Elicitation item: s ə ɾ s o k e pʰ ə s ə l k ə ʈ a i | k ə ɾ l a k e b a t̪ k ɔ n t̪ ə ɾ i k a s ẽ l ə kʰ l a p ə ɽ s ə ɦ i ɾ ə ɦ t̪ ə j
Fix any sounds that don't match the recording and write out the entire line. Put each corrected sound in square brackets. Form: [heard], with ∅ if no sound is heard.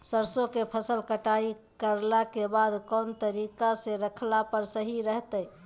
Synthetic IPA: s ə ɾ s o k e pʰ ə s ə l k ə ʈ a i | k ə ɾ l a k e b a [d̪] k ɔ n t̪ ə ɾ i k a s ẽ [ɾ] ə kʰ l a p ə [ɾ] s ə ɦ i ɾ ə ɦ t̪ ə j